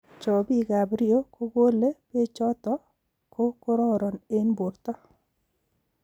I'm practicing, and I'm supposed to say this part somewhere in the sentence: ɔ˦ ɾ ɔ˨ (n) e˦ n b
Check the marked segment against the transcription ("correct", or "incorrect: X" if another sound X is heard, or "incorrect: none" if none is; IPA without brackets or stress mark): correct